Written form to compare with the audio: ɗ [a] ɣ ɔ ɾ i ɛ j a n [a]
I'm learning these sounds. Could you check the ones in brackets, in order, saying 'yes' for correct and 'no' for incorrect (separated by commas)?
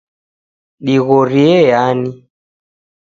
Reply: no, no